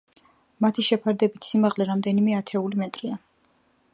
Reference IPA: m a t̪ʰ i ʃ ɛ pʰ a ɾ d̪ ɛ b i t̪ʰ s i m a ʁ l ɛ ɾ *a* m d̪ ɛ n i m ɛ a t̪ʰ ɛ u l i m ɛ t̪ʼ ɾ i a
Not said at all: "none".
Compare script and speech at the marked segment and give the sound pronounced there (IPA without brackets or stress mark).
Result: a